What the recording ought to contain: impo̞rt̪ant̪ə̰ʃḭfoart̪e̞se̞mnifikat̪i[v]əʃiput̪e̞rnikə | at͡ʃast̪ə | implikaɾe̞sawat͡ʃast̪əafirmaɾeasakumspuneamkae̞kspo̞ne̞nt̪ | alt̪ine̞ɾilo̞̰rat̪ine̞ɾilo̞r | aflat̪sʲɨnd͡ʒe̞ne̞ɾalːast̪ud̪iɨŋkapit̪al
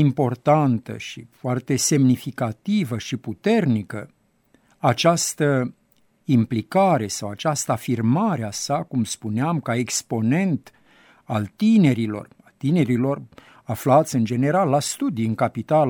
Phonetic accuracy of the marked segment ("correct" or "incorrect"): correct